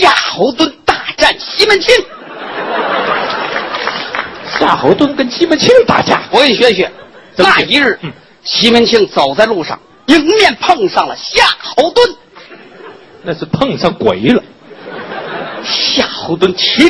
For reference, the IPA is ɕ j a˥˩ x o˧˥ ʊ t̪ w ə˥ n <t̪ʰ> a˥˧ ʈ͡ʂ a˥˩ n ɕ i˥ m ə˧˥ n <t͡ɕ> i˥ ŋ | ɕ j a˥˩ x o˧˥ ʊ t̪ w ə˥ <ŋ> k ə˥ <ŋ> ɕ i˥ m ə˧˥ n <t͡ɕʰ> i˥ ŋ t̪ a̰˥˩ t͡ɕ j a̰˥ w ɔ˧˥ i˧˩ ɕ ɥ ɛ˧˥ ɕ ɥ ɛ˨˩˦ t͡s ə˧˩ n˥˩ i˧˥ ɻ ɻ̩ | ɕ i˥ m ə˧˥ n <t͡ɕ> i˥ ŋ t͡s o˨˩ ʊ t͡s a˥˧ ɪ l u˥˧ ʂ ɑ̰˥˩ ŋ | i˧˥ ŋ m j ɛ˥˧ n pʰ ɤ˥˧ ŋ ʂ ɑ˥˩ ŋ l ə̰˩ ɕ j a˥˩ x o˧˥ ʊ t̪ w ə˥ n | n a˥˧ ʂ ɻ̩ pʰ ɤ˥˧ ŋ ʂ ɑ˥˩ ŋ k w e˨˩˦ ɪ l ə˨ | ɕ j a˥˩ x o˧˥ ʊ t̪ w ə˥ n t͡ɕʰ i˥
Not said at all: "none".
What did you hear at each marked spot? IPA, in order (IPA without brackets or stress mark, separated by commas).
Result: t̪, t͡ɕʰ, n, n, t͡ɕʰ, t͡ɕʰ